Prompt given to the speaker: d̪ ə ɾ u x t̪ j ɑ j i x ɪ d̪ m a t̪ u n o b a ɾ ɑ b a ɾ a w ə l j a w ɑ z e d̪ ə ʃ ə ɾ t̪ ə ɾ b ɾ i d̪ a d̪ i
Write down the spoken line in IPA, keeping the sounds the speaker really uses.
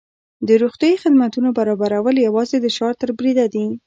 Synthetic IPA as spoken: d̪ ə ɾ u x t̪ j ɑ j i x ɪ d̪ m a t̪ u n o b a ɾ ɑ b a ɾ a w ə l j a w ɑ z e d̪ ə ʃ ɑ ɾ t̪ ə ɾ b ɾ i d̪ a d̪ i